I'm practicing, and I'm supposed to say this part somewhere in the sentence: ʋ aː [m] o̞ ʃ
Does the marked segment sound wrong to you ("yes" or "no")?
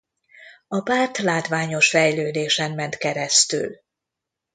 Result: yes